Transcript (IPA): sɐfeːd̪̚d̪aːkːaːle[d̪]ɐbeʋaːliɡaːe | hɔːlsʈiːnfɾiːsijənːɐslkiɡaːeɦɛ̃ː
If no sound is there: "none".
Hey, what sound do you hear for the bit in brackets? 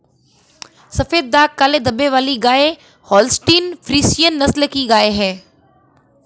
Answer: d̪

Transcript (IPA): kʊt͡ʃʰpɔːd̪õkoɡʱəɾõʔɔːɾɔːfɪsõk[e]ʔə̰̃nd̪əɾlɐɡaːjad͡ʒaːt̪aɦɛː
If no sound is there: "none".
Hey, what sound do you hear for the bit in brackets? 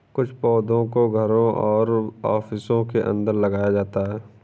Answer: e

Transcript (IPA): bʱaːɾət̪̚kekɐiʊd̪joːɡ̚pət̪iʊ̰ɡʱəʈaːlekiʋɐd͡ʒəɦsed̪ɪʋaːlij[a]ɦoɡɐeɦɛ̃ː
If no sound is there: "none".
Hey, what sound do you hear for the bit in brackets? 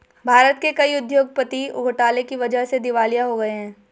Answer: a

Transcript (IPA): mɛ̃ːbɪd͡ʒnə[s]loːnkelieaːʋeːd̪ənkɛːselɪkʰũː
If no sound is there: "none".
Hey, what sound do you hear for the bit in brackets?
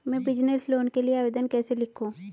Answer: s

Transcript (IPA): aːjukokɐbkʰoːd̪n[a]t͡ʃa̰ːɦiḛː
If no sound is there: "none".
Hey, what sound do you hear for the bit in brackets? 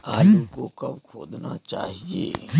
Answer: a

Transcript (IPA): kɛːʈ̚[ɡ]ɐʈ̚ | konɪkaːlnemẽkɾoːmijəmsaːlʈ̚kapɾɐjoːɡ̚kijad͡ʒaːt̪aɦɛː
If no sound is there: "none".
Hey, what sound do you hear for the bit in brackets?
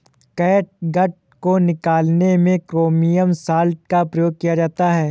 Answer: ɡ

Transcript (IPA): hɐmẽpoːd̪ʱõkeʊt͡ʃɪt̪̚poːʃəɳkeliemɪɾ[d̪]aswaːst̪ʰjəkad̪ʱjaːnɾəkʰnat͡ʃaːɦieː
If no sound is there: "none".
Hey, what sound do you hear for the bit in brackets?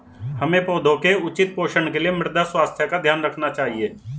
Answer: d̪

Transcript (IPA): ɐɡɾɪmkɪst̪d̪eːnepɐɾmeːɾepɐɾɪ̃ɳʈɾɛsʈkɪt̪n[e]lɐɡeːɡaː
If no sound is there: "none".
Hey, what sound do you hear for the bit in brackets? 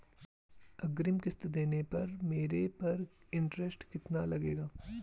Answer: a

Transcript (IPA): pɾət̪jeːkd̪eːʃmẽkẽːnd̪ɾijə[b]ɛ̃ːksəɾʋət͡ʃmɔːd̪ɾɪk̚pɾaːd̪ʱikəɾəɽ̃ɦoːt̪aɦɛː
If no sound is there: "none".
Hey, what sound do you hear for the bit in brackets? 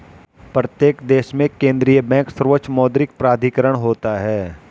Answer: b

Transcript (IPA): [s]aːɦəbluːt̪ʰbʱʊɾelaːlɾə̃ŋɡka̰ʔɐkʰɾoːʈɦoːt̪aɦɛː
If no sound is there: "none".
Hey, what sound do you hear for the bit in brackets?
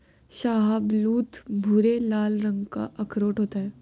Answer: ʃ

